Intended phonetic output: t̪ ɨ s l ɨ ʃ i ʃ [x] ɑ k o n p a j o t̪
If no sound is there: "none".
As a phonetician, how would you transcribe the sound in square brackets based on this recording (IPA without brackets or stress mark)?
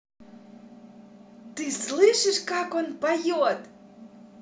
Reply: k